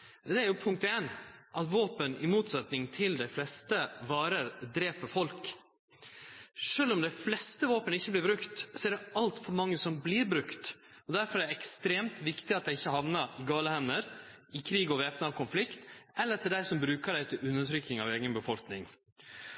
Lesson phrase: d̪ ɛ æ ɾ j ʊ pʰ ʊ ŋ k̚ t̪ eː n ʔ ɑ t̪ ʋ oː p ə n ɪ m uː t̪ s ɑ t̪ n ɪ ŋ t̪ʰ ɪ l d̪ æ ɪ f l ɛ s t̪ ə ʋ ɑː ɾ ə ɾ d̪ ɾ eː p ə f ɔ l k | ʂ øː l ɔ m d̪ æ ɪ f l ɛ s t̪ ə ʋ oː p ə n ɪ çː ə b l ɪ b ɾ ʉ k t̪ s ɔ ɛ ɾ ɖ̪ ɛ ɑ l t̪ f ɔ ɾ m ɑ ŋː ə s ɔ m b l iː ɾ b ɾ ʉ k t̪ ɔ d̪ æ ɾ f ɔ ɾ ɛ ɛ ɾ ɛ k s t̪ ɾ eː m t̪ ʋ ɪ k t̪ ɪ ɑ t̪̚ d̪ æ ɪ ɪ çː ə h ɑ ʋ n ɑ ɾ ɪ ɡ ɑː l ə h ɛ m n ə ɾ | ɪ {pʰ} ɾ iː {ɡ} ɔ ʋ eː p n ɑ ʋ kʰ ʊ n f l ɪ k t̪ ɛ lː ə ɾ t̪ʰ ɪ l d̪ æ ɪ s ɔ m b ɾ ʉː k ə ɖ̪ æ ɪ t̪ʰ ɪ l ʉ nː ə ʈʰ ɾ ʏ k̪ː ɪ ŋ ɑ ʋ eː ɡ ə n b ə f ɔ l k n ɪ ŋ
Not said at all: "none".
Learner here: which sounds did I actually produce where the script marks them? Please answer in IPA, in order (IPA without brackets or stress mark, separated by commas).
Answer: kʰ, ɡ